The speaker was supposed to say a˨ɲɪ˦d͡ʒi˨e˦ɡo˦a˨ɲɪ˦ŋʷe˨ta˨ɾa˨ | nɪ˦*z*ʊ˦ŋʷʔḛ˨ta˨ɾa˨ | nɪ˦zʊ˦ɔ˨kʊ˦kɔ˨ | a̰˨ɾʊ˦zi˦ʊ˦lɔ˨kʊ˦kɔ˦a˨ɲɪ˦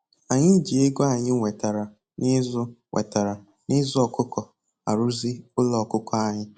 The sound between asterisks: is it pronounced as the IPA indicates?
yes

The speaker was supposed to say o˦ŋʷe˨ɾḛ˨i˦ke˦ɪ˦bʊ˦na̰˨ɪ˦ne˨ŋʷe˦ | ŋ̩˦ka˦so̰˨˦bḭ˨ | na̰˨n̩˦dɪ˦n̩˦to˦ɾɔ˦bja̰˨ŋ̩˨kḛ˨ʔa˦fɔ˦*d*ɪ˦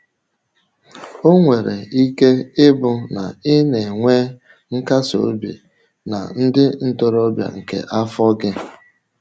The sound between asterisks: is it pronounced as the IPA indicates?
no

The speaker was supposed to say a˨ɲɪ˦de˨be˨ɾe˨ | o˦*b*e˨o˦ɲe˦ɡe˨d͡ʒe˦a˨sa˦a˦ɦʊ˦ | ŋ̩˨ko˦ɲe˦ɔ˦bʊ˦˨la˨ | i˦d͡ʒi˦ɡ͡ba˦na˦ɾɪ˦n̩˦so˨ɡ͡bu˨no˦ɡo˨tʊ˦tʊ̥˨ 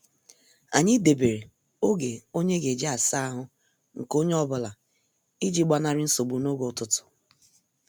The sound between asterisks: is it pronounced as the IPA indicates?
no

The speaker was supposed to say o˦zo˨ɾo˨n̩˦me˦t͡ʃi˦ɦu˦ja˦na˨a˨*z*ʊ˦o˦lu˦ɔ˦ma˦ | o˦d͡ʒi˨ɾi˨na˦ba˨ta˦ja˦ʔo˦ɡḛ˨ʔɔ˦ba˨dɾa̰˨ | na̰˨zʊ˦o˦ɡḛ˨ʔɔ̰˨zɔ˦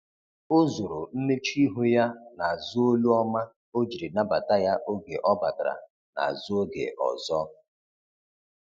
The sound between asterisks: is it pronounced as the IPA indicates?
yes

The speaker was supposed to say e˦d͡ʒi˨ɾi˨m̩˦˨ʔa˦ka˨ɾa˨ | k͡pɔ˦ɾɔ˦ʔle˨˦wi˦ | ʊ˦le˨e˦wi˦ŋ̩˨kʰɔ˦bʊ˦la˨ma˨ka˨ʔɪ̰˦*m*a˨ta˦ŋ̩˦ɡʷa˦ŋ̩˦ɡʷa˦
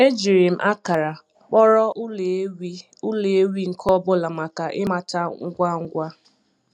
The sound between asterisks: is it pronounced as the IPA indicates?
yes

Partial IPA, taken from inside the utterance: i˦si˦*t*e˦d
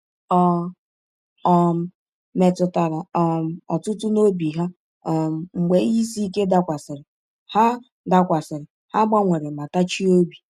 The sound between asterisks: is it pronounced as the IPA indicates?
no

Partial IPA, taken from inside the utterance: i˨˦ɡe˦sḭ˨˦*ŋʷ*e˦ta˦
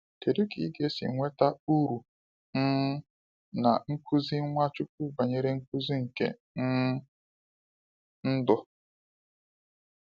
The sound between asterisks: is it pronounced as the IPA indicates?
yes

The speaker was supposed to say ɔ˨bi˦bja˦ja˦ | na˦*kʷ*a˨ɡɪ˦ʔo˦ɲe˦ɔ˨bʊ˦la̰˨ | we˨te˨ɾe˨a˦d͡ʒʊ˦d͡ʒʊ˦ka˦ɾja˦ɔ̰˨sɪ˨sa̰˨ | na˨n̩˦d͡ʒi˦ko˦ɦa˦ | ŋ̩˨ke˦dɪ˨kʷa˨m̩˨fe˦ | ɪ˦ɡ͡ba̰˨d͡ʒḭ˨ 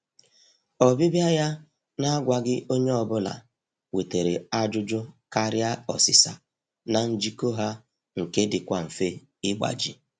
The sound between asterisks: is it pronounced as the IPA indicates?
no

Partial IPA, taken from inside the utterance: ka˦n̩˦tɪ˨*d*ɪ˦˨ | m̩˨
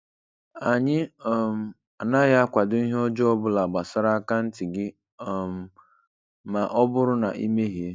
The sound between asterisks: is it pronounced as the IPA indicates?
no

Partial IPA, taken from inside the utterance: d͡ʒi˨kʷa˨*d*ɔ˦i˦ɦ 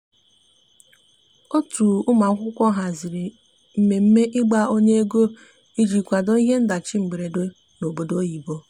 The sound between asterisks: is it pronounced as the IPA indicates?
yes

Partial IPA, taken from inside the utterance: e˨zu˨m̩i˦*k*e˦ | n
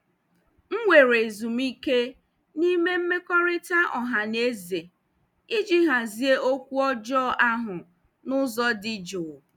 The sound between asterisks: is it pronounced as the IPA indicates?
yes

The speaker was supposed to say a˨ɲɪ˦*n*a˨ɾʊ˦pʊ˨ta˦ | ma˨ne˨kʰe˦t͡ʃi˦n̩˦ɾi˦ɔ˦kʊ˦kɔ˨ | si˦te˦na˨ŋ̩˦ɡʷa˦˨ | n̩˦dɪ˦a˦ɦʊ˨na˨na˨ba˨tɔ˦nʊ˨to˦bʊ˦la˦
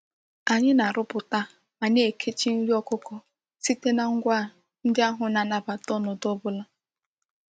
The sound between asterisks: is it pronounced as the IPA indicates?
yes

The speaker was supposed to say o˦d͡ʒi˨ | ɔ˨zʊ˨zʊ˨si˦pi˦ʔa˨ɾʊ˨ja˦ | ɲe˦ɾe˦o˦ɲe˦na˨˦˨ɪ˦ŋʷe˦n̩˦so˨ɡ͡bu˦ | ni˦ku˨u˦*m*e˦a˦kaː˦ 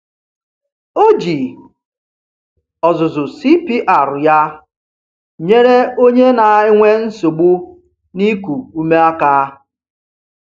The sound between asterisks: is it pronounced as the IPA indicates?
yes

